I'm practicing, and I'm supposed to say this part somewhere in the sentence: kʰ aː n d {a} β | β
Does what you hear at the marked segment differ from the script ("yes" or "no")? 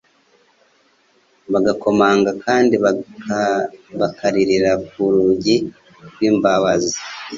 yes